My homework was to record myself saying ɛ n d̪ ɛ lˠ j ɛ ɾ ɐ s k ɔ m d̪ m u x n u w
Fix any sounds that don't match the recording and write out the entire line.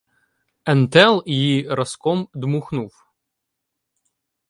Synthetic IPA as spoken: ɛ n t̪ ɛ lˠ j i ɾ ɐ s k ɔ m d̪ m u x n u w